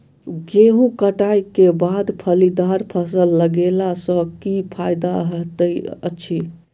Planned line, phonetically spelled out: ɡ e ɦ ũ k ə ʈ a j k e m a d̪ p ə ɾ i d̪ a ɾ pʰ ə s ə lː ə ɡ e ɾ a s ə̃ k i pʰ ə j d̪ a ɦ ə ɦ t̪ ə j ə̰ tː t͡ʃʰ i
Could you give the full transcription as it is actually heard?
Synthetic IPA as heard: ɡ e ɦ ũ k ə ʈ a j k e b a d̪ pʰ ə l i d̪ a ɾ pʰ ə s ə lː ə ɡ e l a s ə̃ k i pʰ a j d̪ a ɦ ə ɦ t̪ ə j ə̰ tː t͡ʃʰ i